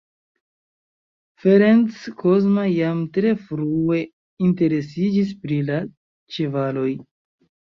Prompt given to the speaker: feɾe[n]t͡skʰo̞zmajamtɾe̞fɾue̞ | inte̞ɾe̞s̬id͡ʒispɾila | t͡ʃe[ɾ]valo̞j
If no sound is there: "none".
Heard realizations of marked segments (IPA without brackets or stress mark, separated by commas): n, none